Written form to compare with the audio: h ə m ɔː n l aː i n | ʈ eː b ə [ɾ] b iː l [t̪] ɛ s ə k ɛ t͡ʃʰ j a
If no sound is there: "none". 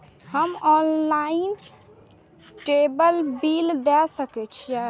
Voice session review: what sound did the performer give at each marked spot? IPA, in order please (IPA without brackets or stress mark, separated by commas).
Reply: l, d̪